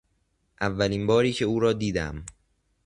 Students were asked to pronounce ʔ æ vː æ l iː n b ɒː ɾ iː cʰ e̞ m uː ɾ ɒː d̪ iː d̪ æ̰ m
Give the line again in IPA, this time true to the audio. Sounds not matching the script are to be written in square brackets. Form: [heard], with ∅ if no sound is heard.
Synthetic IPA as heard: ʔ æ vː æ l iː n b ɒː ɾ iː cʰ e̞ [∅] uː ɾ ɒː d̪ iː d̪ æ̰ m

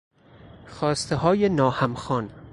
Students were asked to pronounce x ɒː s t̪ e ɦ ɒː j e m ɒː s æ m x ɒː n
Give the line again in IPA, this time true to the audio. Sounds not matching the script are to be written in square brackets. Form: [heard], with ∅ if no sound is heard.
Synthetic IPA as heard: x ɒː s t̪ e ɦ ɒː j e [n] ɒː [h] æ m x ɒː n

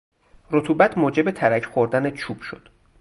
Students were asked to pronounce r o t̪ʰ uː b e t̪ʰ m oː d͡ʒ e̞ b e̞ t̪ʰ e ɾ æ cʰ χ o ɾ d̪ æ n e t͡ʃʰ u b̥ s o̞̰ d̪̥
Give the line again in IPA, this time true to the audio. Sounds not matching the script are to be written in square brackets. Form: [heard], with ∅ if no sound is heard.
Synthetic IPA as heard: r o t̪ʰ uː b [æ] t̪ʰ m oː d͡ʒ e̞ b e̞ t̪ʰ [æ] ɾ æ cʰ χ o ɾ d̪ æ n e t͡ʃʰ u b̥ [ʃ] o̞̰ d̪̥

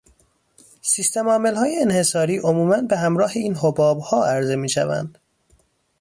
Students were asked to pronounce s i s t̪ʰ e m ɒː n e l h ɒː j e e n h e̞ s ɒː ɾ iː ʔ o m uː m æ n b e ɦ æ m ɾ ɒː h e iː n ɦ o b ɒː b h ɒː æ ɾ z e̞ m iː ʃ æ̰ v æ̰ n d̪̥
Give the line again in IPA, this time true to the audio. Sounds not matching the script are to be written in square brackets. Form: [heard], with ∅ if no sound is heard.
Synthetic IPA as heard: s i s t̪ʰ e m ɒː [m] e l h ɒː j e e n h e̞ s ɒː ɾ iː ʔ o m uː m æ n b e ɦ æ m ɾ ɒː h e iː n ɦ o b ɒː b h ɒː æ ɾ z e̞ m iː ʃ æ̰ v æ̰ n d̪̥

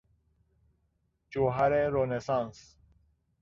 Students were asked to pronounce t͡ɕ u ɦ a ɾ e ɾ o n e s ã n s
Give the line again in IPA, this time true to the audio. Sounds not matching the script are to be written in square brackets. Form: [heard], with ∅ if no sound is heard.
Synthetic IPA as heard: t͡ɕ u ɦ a ɾ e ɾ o n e s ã n s

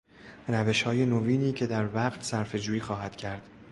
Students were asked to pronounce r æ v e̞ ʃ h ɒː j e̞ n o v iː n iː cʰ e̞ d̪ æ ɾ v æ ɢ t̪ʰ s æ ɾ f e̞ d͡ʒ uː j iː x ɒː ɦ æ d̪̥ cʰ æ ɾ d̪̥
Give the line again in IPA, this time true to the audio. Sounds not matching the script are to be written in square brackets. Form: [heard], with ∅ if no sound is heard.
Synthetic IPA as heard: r æ v e̞ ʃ h ɒː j e̞ n o v iː n iː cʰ e̞ d̪ æ ɾ v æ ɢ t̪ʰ s æ ɾ f e̞ d͡ʒ uː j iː x ɒː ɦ æ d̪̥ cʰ æ ɾ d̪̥

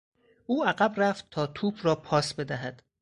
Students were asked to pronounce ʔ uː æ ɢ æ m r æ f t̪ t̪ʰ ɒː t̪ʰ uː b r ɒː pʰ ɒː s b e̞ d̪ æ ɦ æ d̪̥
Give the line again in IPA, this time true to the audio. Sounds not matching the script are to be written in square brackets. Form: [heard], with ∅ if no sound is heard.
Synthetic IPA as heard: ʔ uː æ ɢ æ [b] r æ f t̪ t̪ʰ ɒː t̪ʰ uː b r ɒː pʰ ɒː s b e̞ d̪ æ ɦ æ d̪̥

